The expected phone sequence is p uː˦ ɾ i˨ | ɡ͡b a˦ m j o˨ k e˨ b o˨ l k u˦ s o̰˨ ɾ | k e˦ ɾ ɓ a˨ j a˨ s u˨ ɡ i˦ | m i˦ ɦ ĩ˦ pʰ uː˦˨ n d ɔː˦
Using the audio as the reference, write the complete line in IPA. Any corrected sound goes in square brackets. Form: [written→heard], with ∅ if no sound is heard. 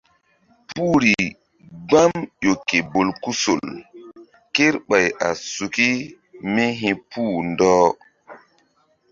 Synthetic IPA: p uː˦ ɾ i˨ | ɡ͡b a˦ m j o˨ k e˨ b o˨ l k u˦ s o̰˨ [ɾ→l] | k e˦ ɾ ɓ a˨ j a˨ s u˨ [ɡ→k] i˦ | m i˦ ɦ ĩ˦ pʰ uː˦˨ n d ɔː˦